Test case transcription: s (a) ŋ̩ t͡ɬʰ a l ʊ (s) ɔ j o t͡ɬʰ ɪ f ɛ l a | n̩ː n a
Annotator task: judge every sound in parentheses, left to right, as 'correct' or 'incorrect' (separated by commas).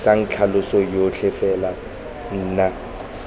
correct, correct